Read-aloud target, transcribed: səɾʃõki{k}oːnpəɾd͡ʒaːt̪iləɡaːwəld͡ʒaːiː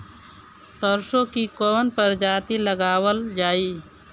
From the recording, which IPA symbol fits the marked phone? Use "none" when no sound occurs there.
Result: k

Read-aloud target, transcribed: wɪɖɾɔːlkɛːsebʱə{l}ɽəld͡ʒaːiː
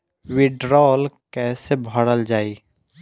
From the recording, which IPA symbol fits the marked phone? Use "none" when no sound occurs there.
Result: none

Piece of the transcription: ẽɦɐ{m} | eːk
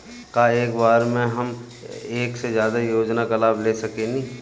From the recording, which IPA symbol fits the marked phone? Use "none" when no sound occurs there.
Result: m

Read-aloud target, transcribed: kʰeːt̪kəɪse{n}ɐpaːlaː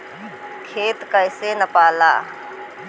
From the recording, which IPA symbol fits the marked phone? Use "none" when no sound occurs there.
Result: n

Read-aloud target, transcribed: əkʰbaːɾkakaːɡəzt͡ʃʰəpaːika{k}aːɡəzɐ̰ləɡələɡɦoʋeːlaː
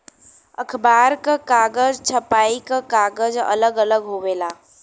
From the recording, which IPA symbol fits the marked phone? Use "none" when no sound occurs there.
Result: k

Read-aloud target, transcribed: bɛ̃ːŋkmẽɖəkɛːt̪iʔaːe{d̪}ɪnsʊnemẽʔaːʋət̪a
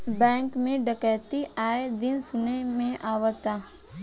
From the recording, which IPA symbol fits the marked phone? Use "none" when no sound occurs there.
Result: d̪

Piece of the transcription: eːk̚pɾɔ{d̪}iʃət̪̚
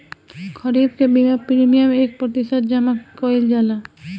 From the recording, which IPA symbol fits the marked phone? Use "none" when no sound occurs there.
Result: t̪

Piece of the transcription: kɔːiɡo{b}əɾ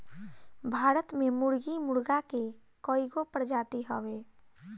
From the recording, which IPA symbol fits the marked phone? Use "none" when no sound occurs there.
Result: p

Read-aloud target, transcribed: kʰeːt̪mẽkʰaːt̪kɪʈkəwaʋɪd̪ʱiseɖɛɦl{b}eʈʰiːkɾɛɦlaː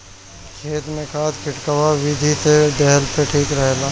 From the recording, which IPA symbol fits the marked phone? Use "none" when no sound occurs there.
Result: p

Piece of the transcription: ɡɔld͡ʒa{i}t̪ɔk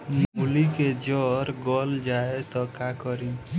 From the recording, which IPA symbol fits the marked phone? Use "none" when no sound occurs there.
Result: e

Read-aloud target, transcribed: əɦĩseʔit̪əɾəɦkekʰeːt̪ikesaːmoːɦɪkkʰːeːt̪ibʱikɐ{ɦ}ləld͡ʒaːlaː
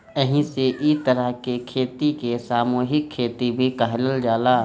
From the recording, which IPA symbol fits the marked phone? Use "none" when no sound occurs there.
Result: ɦ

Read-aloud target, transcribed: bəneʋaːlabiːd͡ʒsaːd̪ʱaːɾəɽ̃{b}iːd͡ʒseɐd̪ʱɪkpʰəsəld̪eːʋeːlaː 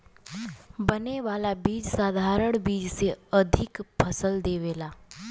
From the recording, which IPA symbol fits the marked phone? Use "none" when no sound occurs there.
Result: b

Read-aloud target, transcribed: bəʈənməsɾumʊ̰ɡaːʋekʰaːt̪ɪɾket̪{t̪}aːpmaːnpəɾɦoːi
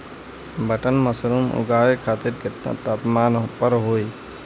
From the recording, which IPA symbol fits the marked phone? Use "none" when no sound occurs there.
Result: t̪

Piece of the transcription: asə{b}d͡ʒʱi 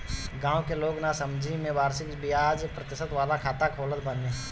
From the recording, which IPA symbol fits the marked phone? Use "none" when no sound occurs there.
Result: m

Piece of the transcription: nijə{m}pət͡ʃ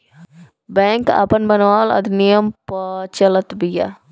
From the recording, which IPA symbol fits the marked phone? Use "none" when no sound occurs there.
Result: m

